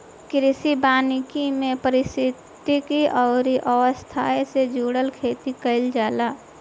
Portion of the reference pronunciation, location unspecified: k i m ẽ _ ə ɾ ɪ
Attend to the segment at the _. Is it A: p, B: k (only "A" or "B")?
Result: A